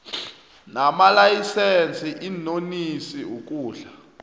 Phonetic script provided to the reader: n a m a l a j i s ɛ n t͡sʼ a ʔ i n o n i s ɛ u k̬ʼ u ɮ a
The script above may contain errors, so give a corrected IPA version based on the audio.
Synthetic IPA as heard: n a m a l a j i s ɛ n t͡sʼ i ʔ i n o n i s i u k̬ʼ uː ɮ a

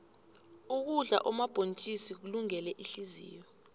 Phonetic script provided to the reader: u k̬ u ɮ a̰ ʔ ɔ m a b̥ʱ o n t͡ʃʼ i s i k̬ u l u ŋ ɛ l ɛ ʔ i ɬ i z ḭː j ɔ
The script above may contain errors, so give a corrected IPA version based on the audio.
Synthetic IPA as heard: u k̬ u ɮ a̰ ʔ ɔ m a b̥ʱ o n t͡ʃʼ i s i k̬ u l u ŋ ɛ l ɛ ʔ i ɬ i z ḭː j ɔ

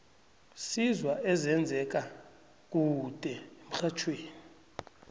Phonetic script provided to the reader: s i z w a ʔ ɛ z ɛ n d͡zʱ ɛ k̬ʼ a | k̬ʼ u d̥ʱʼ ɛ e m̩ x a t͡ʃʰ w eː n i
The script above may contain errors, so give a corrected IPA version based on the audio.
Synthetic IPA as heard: s i z w a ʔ ɛ z ɛ n d͡zʱ ɛ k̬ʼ a | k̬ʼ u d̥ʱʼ ɛ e m̩ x a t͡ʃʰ w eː n i

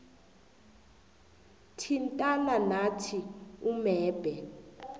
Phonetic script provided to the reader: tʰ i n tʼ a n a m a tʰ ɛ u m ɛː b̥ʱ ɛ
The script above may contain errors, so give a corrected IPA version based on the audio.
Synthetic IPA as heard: tʰ i n tʼ a n a n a tʰ i u m ɛː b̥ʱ ɛ

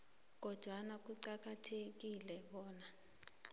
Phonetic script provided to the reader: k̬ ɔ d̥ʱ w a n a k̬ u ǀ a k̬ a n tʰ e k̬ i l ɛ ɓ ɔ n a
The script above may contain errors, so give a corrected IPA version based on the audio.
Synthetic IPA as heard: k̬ ɔ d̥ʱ w a n a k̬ u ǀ a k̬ a tʰ e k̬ i l ɛ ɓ ɔː n a

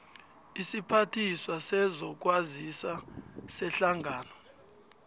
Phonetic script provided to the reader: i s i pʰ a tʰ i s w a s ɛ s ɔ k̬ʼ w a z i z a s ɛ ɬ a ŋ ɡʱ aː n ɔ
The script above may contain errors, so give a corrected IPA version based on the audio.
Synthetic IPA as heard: i s i pʰ a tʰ i s w a s ɛ z ɔ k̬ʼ w a z i s a s ɛ ɬ a ŋ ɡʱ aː n ɔ

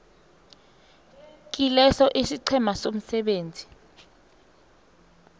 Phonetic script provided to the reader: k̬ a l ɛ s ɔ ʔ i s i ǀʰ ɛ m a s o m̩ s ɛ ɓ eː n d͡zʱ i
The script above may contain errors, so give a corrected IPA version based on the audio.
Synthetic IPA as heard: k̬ i l ɛ s ɔ ʔ i s i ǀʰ ɛ m a s o m̩ s ɛ ɓ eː n d͡zʱ i

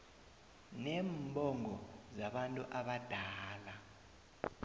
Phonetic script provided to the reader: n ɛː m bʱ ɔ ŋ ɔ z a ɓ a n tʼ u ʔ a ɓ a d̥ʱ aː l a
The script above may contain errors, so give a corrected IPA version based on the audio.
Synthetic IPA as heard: n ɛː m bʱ ɔ ŋ ɔ z a ɓ a n tʼ u ʔ a ɓ a d̥ʱ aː l a

